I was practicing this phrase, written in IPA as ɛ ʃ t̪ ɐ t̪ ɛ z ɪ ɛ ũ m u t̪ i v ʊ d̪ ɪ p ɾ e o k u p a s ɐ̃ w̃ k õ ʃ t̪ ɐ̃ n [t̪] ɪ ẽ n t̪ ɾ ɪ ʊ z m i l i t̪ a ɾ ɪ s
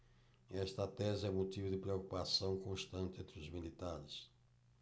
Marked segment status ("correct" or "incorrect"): correct